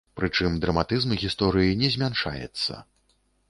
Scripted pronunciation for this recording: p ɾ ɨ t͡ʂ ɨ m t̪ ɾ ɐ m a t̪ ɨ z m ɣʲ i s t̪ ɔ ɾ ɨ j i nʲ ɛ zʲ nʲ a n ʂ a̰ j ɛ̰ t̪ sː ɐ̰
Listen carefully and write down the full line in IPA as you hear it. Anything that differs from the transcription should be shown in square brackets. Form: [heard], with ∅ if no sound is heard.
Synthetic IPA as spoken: p ɾ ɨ t͡ʂ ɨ m [d̪] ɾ ɐ m a t̪ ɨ z m ɣʲ i s t̪ ɔ ɾ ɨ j i nʲ ɛ zʲ [mʲ] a n ʂ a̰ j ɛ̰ t̪ sː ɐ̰

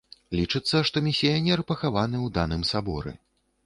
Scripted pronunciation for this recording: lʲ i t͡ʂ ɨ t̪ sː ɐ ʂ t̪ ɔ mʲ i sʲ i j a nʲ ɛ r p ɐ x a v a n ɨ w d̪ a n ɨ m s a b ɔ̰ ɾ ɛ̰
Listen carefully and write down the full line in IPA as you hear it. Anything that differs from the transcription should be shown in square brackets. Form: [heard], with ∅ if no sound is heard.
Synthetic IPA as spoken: lʲ i t͡ʂ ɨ t̪ sː ɐ ʂ t̪ ɔ mʲ i sʲ i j a nʲ ɛ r p ɐ x a v a n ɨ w d̪ a n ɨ m s a b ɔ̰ ɾ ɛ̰

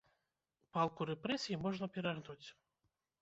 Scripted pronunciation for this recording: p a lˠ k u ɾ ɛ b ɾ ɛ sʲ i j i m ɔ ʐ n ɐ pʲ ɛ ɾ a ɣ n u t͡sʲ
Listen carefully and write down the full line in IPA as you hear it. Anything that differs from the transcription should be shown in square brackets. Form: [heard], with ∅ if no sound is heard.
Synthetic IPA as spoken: p a lˠ k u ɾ ɛ [p] ɾ ɛ sʲ i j i m ɔ ʐ n ɐ pʲ ɛ ɾ a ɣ n u t͡sʲ

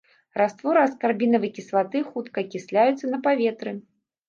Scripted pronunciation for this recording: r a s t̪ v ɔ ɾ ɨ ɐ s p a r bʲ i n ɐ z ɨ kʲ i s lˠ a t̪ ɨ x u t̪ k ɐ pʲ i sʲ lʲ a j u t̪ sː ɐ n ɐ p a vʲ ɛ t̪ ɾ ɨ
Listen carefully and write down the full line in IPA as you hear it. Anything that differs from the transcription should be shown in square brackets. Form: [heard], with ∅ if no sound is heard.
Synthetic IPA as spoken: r a s t̪ v ɔ ɾ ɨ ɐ s [k] a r bʲ i n ɐ [v] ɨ kʲ i s lˠ a t̪ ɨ x u t̪ k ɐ [kʲ] i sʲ lʲ a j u t̪ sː ɐ n ɐ p a vʲ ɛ t̪ ɾ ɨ

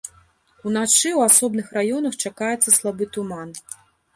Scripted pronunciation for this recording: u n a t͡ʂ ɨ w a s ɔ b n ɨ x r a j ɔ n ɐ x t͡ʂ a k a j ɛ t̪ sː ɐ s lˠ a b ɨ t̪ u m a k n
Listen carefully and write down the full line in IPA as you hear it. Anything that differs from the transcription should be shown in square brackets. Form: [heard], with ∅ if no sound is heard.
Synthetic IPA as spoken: u n a t͡ʂ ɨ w a s ɔ b n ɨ x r a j ɔ n ɐ x t͡ʂ a k a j ɛ t̪ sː ɐ s lˠ a b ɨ t̪ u m a [∅] n

